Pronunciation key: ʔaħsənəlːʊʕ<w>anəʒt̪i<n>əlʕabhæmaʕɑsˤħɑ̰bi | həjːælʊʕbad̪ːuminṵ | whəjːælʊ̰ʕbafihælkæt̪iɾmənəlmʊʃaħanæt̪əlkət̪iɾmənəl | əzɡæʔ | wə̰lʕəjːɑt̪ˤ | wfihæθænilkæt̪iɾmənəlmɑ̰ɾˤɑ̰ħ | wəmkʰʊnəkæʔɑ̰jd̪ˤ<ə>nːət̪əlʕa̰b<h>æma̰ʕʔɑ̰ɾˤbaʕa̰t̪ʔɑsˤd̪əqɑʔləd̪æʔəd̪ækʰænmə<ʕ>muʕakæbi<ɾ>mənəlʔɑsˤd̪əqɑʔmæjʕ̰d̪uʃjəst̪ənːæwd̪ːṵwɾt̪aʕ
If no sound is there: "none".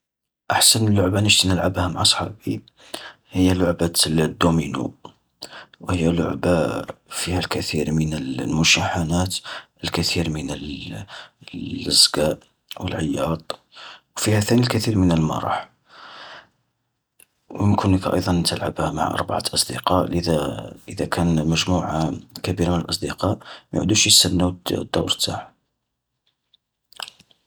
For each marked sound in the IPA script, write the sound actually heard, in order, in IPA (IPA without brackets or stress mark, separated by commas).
b, n, ɑ, h, ʒ, ɾ